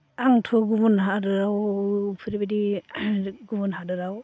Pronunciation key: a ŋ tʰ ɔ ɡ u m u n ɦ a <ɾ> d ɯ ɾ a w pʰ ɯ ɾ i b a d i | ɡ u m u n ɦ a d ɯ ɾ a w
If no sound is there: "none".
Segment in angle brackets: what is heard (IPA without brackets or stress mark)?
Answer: none